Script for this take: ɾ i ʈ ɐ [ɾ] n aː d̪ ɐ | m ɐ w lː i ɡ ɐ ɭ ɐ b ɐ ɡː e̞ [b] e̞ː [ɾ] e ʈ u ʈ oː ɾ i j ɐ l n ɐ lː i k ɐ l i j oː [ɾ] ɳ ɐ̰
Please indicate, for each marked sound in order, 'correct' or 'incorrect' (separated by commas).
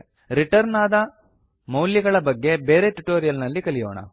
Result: correct, correct, correct, incorrect